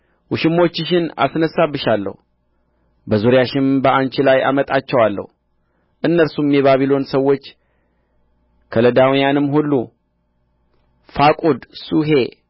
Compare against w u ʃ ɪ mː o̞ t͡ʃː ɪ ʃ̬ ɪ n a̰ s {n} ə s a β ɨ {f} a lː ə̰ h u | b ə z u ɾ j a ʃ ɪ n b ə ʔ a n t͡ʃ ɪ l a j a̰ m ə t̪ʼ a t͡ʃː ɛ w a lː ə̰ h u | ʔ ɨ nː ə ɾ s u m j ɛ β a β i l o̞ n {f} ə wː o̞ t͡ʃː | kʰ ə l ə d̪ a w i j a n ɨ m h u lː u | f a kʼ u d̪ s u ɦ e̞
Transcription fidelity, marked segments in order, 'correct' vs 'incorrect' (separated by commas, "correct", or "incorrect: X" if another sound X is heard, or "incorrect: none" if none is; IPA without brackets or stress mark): correct, incorrect: ʃ, incorrect: s